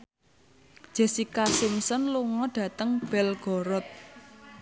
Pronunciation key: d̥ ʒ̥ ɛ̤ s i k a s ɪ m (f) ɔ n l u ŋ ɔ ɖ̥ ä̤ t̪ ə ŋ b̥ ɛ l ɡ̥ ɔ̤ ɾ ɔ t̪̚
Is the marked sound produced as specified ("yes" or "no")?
no